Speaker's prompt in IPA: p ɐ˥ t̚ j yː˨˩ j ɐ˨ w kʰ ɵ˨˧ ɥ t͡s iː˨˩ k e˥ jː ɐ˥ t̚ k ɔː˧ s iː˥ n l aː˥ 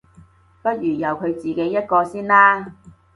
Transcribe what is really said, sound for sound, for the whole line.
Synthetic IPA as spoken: p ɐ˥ t̚ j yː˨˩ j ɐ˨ w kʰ ɵ˨˧ ɥ t͡s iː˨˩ k e˨˥ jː ɐ˥ t̚ k ɔː˧ s iː˥ n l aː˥